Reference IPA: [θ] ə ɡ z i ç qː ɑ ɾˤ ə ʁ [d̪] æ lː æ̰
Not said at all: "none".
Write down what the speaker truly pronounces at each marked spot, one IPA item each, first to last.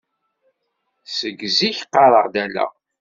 s, d̪

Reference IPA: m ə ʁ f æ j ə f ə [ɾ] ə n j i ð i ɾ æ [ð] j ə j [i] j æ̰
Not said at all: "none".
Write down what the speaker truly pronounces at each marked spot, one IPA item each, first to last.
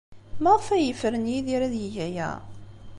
ɾ, ð, æ

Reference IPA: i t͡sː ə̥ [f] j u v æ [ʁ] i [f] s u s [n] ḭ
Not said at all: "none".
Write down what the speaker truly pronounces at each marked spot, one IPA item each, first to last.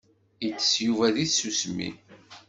s, ð, θ, m

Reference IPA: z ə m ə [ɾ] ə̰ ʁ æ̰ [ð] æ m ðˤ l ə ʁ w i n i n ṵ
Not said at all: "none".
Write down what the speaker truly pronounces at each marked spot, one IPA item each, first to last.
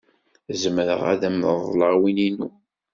ɾ, ð

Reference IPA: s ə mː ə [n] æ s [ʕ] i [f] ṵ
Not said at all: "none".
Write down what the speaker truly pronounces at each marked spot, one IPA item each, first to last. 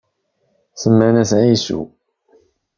n, ʕ, s

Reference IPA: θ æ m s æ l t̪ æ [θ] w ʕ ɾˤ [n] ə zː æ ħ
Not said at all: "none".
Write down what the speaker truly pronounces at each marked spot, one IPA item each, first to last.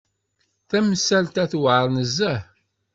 θ, n

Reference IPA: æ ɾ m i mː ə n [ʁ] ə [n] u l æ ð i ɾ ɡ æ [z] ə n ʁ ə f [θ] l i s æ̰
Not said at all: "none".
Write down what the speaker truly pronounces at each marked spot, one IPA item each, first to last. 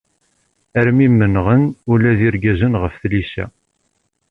ʁ, n, z, θ

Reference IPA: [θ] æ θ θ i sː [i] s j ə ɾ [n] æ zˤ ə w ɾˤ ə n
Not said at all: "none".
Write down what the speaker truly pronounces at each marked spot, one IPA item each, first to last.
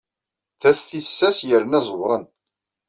θ, æ, n

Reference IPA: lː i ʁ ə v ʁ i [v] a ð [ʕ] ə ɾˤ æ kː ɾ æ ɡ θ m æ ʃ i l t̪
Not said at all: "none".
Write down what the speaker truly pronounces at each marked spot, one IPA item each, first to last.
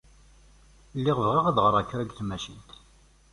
ʁ, ʁ

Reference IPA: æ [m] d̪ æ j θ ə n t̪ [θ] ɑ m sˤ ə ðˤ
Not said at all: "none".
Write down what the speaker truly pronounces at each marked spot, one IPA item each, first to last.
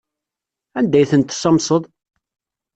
n, s

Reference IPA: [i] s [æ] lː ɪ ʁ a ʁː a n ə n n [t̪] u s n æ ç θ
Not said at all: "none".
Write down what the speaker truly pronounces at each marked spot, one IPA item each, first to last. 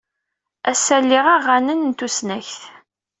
æ, æ, t̪

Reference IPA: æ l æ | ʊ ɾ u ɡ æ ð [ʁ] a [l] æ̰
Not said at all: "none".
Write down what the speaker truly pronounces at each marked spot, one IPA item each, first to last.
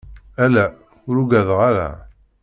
ʁ, ɾ

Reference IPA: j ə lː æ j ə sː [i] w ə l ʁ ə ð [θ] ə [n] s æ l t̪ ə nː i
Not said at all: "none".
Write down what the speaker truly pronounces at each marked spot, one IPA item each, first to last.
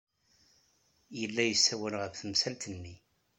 æ, θ, m

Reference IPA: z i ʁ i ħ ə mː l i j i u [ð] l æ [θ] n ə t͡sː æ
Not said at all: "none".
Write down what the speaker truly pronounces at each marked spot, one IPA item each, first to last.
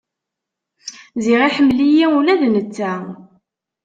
none, ð

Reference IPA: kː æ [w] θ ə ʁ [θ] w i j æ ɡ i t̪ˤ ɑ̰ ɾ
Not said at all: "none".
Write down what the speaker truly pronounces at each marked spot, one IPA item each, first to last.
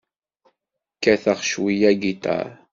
none, ʃ

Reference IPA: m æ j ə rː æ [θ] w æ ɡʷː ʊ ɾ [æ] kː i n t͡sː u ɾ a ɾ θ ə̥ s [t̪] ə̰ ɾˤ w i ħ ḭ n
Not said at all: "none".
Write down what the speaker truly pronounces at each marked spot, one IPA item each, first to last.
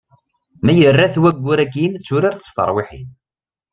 θ, æ, t̪

